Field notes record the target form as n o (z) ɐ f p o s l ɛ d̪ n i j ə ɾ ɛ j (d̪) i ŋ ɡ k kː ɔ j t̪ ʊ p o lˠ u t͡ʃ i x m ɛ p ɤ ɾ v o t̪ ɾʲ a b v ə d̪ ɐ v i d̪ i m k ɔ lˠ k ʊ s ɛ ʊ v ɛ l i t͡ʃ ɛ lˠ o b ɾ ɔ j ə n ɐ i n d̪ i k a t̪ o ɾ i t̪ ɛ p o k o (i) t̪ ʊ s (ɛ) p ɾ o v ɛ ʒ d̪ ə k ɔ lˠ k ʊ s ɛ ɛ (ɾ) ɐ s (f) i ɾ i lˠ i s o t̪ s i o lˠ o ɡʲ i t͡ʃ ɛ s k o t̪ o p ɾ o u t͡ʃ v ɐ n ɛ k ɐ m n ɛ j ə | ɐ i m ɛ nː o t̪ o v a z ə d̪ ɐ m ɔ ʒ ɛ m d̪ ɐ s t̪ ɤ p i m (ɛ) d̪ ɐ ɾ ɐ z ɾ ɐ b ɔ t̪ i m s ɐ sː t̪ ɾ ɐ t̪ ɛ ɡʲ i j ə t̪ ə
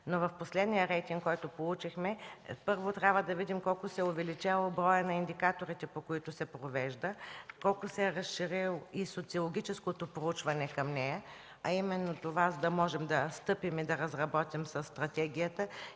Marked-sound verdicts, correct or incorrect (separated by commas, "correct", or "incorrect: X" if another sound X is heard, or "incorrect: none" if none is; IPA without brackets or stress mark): incorrect: v, incorrect: t̪, correct, correct, correct, incorrect: ʃ, incorrect: i